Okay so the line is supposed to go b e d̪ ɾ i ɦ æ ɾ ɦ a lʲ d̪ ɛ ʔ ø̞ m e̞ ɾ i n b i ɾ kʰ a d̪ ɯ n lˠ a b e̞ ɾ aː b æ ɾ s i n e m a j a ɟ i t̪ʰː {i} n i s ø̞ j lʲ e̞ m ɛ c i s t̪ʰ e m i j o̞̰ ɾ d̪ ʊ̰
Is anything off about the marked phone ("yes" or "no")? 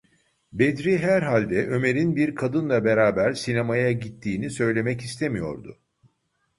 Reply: yes